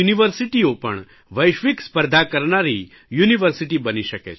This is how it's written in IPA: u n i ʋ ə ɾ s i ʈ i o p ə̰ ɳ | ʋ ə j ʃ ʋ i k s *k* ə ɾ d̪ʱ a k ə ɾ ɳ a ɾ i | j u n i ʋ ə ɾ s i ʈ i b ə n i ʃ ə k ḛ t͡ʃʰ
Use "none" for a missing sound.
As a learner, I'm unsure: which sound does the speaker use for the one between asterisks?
p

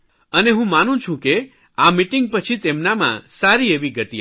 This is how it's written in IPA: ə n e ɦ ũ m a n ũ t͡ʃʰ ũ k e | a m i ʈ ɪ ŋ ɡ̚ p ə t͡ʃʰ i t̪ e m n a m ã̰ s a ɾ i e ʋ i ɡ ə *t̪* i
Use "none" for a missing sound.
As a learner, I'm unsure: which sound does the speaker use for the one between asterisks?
t̪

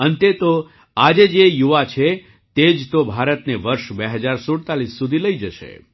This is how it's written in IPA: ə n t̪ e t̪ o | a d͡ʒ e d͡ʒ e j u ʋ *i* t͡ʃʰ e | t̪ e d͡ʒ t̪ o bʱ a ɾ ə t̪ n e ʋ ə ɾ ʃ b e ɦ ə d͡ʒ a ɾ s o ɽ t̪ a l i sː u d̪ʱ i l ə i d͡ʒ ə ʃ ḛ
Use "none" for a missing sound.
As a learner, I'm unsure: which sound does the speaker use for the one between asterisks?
a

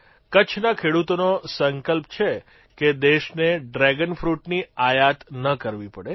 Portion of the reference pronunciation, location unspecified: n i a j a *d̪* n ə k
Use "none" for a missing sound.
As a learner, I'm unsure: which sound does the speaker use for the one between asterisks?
t̪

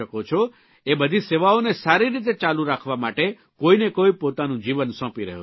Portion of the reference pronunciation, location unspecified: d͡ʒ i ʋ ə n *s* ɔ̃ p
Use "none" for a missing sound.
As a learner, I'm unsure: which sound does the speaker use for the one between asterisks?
s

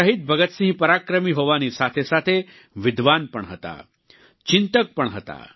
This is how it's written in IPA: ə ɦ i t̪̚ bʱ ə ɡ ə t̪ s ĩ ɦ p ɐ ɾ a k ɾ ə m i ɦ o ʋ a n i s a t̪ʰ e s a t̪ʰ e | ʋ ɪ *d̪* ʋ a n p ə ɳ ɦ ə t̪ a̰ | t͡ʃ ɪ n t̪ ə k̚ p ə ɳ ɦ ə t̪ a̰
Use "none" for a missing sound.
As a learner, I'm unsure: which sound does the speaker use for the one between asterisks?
d̪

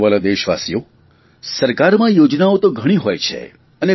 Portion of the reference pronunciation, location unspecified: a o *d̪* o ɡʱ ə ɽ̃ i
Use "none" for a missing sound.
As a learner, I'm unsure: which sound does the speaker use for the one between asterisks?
t̪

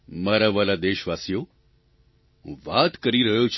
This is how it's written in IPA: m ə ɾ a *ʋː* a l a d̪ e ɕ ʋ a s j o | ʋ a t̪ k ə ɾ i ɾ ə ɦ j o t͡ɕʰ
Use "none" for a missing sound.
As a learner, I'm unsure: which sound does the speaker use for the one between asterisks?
ʋ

